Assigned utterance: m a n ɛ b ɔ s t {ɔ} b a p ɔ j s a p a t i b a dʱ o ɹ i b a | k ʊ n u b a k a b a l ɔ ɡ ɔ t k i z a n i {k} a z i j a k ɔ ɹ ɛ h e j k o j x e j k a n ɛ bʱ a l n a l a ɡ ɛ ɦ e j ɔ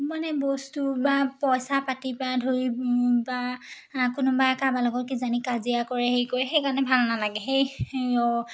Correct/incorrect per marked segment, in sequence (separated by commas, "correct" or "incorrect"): incorrect, correct